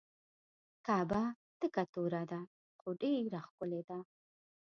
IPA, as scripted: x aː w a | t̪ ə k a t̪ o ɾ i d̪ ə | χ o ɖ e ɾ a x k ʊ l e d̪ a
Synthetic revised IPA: k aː b a | t̪ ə k a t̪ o ɾ a d̪ a | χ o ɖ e ɾ a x k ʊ l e d̪ a